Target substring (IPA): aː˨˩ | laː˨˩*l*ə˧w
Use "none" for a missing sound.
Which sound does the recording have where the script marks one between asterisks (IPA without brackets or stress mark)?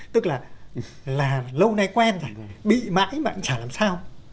l